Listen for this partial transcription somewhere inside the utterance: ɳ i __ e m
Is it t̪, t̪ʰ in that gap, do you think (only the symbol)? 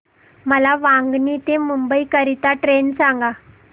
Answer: t̪